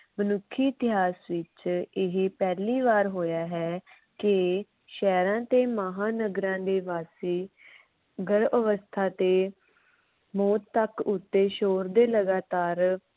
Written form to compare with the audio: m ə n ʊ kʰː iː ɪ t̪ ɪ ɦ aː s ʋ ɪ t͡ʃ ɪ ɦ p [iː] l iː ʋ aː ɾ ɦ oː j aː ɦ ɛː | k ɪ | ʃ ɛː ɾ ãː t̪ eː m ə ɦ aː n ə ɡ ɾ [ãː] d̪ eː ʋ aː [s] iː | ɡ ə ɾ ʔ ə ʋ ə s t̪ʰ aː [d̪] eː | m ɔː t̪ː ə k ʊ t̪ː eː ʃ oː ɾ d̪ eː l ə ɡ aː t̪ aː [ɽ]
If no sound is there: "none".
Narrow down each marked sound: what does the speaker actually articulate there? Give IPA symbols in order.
ɛː, ãː, s, t̪, ɾ

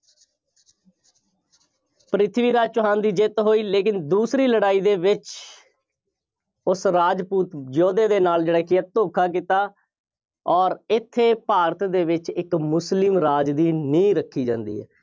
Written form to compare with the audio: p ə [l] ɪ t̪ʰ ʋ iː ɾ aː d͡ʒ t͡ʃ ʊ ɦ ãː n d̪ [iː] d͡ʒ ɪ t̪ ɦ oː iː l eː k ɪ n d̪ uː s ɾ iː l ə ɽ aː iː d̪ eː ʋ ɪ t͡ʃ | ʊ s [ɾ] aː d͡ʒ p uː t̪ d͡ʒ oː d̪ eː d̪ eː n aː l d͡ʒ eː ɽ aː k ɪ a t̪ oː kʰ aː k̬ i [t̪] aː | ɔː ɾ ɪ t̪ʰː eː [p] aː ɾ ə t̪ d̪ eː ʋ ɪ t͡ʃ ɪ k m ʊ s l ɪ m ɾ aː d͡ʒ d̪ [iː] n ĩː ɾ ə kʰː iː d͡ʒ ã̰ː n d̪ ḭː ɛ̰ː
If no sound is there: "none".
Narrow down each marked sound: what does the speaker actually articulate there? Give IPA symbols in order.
ɾ, iː, ɾ, t̪, p, iː

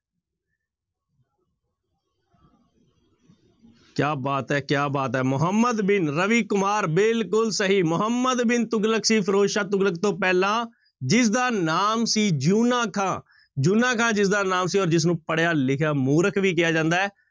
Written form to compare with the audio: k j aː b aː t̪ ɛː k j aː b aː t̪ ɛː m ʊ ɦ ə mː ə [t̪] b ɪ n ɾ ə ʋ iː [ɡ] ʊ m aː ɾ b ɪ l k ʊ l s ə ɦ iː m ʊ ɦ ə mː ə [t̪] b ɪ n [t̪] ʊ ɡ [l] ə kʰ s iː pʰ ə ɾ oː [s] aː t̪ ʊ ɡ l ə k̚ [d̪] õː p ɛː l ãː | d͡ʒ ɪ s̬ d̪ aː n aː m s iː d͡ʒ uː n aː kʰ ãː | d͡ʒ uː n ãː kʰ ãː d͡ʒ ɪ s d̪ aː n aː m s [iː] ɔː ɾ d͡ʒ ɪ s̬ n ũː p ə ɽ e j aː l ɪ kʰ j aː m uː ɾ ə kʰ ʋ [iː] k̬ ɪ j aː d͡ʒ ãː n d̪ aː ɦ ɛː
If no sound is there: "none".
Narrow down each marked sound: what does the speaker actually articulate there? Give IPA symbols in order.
d̪, k, d̪, t̪, l, ʃ, t̪, iː, iː

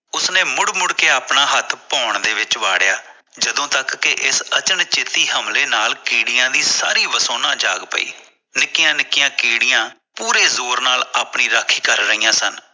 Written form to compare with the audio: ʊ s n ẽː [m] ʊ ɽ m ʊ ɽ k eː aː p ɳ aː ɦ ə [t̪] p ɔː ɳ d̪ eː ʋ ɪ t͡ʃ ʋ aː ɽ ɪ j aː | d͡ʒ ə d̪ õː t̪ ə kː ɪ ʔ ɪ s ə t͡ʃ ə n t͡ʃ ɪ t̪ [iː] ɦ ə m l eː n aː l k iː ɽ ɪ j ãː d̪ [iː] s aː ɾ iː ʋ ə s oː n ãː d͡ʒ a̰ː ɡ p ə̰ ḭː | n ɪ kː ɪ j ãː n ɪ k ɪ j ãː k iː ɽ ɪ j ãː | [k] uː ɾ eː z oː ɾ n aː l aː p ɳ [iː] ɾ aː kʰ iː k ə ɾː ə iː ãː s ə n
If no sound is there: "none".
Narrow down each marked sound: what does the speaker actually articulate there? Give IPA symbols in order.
m, t̪ʰ, iː, iː, p, iː

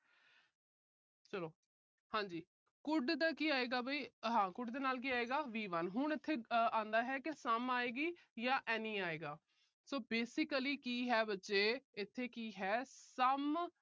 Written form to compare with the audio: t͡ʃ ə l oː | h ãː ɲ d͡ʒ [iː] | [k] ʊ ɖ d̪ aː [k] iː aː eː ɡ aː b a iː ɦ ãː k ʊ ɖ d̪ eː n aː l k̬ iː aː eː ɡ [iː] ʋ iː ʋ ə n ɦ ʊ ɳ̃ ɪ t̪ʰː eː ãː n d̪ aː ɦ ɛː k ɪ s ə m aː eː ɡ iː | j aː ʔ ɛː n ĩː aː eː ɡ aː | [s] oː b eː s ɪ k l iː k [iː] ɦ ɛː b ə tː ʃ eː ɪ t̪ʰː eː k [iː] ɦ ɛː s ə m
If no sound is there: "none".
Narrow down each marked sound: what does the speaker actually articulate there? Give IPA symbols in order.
iː, k, k, aː, s, iː, iː

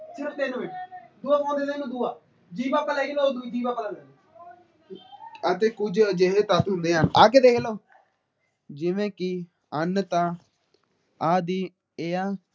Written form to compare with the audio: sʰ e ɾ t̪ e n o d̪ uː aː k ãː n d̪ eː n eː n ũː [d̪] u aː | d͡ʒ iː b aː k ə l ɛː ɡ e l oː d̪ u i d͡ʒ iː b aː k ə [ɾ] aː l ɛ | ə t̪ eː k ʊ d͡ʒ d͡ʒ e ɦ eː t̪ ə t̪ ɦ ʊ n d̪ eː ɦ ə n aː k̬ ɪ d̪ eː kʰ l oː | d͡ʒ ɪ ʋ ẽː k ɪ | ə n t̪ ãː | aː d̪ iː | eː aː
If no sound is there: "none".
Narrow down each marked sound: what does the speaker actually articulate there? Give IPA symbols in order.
d̪, l

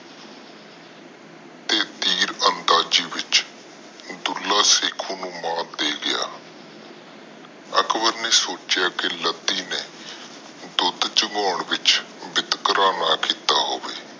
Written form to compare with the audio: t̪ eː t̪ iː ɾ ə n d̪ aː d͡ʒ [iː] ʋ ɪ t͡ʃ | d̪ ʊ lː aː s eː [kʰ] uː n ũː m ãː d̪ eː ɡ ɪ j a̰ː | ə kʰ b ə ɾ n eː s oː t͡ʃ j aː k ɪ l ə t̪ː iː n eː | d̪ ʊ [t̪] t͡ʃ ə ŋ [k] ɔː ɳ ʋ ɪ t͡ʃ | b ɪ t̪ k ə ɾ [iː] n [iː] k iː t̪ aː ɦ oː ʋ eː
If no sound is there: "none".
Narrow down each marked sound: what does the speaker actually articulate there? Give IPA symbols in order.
iː, kʰ, d̪, ɡ, aː, aː

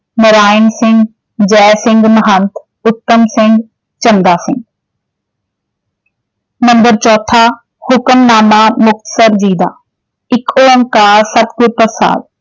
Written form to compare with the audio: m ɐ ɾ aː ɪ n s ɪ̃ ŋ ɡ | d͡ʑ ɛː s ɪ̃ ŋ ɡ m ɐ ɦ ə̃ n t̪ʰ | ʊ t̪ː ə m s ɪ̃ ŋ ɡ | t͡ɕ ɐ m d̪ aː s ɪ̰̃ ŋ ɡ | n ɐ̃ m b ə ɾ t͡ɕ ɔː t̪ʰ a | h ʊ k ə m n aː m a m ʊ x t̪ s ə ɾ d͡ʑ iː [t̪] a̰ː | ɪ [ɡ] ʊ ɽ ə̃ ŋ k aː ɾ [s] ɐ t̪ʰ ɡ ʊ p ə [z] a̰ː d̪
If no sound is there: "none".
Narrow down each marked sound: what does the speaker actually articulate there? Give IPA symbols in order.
d̪, k, s, s

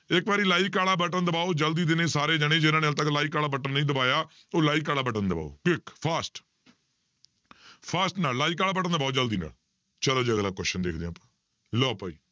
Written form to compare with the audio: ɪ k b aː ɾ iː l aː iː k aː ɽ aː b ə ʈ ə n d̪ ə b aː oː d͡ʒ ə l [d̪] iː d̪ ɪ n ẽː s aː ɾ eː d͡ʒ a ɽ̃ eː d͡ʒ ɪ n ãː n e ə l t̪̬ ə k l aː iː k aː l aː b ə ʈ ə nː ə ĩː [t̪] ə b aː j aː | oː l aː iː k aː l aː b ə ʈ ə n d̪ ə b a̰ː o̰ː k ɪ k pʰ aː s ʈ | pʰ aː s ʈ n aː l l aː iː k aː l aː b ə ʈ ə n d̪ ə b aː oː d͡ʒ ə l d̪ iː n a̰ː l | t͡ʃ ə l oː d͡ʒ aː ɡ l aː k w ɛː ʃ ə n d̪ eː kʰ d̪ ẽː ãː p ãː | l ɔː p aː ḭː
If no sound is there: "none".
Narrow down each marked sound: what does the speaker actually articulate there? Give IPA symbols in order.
d̪, d̪

